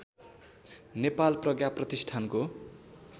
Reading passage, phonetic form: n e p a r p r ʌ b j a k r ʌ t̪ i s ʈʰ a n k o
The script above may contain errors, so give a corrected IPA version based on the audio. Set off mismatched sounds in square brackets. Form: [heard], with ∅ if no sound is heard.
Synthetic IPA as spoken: n e p a [l] p r ʌ [ɡ] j a [p] r ʌ t̪ i s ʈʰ a n k o